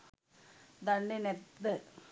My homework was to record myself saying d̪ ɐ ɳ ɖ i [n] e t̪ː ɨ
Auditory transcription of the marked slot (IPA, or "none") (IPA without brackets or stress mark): n